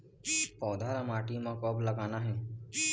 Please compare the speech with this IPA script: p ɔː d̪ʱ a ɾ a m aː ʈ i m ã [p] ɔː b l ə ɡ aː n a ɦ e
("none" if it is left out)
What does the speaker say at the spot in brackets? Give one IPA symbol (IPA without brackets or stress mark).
k